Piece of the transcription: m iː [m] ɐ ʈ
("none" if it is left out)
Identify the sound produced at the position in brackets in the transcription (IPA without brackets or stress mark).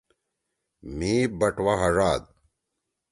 b